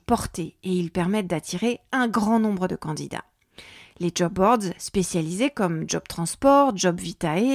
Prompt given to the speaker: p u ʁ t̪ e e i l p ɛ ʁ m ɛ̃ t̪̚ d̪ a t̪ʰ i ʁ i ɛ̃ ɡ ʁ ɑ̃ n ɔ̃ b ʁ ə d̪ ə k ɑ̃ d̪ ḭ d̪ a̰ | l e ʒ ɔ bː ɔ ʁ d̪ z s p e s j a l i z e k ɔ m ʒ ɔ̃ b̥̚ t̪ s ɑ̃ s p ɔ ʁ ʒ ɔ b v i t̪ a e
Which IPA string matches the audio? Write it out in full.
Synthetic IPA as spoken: p ɔ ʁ t̪ e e i l p ɛ ʁ m ɛ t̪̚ d̪ a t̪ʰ i ʁ e ɛ̃ ɡ ʁ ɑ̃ n ɔ̃ b ʁ ə d̪ ə k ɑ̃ d̪ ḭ d̪ a̰ | l e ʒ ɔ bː ɔ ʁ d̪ z s p e s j a l i z e k ɔ m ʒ ɔ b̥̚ t̪ χ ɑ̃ s p ɔ ʁ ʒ ɔ b v i t̪ a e